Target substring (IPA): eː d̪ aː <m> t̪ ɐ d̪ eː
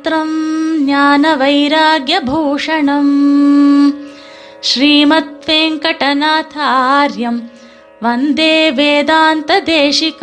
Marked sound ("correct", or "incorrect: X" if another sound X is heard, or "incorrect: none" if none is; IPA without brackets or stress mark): incorrect: n